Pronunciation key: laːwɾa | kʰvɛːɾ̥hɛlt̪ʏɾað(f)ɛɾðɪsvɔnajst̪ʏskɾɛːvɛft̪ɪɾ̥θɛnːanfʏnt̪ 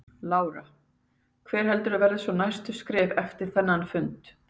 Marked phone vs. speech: incorrect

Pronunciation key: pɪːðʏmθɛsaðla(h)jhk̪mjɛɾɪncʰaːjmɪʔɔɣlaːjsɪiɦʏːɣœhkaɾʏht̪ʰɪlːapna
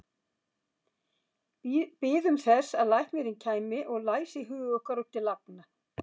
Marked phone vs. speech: incorrect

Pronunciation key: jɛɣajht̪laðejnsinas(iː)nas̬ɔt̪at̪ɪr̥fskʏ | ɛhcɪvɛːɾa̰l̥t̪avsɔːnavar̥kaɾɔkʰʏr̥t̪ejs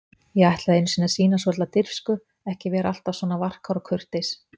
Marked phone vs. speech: correct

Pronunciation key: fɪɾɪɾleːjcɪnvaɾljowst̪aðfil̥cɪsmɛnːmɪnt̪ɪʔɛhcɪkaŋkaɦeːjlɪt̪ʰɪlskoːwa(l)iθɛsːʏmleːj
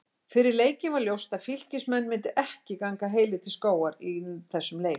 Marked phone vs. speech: incorrect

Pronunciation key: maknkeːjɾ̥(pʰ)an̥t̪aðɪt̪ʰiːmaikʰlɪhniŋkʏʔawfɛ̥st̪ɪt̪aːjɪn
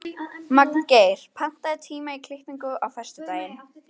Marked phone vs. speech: correct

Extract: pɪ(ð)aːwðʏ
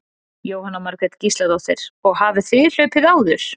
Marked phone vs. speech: correct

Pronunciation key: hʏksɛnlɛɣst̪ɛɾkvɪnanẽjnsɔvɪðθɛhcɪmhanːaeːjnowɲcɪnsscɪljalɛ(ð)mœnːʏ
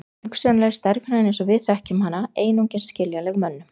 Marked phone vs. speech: incorrect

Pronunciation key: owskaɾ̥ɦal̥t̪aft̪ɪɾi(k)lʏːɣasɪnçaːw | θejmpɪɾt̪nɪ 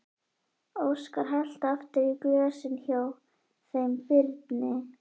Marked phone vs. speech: correct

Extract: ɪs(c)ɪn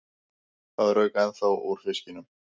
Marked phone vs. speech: correct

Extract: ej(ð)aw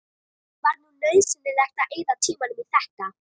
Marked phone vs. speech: correct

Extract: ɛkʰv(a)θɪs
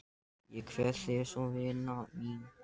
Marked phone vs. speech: incorrect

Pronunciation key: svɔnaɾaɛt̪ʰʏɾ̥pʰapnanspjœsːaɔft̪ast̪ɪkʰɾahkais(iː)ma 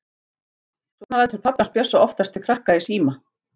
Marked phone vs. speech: correct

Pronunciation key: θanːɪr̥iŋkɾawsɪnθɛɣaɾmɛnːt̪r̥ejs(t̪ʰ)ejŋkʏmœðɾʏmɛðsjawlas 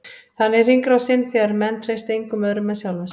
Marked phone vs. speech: incorrect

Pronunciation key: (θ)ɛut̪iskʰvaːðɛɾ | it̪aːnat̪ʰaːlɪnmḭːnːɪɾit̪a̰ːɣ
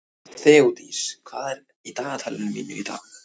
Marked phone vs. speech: correct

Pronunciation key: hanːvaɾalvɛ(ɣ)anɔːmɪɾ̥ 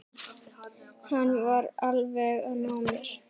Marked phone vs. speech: correct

